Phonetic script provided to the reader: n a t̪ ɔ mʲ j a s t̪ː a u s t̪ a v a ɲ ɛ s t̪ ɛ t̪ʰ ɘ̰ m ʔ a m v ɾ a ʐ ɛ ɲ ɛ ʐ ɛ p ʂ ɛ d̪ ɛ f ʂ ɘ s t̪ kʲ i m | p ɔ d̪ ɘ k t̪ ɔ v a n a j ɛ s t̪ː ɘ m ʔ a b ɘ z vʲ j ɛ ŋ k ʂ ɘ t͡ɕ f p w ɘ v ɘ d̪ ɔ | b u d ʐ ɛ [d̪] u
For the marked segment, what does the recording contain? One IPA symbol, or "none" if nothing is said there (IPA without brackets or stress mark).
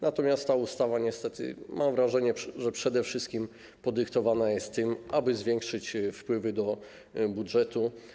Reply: t̪